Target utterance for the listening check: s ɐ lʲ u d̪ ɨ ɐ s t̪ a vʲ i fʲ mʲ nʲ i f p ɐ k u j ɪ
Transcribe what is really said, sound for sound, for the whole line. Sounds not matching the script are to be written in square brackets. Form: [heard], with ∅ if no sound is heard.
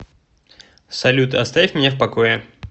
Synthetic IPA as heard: s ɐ lʲ u [t̪] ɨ ɐ s t̪ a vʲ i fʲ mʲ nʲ [e] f p ɐ k [o] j ɪ